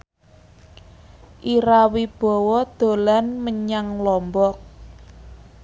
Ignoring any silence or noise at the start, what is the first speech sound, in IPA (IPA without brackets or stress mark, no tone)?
ʔ